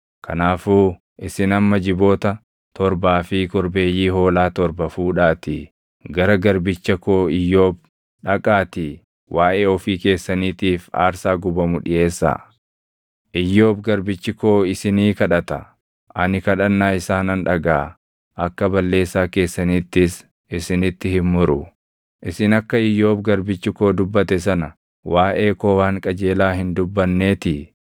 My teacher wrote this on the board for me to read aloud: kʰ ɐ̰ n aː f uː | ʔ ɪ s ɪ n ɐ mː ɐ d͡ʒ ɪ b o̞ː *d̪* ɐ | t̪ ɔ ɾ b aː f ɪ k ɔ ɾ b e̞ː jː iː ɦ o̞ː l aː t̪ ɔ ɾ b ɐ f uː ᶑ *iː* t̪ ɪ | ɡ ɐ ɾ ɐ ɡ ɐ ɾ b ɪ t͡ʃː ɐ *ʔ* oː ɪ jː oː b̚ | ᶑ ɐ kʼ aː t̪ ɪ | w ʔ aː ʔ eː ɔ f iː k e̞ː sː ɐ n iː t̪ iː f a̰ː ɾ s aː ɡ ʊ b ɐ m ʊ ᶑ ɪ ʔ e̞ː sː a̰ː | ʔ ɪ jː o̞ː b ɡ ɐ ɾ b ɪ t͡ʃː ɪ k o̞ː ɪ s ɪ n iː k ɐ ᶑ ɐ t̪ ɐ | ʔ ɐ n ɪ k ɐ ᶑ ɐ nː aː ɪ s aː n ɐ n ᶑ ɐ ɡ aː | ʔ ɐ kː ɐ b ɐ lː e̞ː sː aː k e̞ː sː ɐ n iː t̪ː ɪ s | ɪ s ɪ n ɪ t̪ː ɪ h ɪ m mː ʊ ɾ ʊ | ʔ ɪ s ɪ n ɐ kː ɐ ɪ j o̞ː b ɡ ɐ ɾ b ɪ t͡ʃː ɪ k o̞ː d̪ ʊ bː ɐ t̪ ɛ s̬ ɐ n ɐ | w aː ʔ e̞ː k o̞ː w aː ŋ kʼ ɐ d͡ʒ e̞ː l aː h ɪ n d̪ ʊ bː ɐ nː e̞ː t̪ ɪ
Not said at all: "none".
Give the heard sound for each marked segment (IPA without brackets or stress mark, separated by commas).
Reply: t̪, aː, k